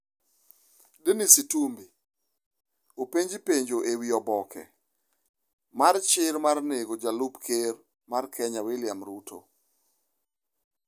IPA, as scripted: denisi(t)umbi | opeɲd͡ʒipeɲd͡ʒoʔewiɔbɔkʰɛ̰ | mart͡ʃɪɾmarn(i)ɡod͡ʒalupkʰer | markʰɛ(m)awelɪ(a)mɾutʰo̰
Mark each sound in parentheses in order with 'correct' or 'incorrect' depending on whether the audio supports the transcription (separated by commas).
correct, incorrect, incorrect, correct